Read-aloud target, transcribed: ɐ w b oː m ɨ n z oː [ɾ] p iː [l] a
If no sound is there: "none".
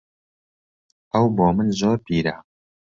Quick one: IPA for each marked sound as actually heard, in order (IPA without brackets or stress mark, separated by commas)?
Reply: ɾ, ɾ